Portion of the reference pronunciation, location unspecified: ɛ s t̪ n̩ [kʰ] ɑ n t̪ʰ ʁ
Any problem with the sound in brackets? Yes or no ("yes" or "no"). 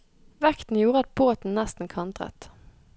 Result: no